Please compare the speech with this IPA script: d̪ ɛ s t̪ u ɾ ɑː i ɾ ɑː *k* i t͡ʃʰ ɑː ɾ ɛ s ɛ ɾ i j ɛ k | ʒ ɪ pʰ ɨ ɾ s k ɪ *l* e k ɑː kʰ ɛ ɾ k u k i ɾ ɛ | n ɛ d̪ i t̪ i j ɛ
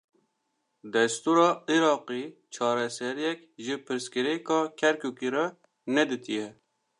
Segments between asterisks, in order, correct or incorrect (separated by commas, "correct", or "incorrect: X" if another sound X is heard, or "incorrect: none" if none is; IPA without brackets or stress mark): incorrect: q, incorrect: ɾ